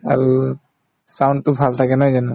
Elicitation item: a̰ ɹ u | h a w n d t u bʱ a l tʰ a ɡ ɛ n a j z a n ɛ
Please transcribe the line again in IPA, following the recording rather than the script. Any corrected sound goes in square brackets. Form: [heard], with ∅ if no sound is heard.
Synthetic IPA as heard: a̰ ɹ u | [s] a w n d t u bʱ a l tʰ a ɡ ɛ n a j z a n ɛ